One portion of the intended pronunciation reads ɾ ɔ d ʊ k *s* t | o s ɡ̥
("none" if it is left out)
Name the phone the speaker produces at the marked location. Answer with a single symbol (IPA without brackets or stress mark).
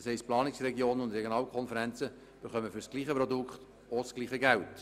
χ